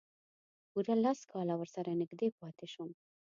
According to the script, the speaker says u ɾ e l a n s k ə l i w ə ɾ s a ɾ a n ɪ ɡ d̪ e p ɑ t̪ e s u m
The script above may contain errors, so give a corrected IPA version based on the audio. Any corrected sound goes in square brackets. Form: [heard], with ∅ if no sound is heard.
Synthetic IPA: u ɾ [a] l a [∅] s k [ɑ] l [a] w ə ɾ s a ɾ a n ɪ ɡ d̪ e p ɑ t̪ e [ʃ] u m